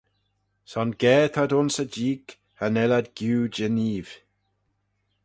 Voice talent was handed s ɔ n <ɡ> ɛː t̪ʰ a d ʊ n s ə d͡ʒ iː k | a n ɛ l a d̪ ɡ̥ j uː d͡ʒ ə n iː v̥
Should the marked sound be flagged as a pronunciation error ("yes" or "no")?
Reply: no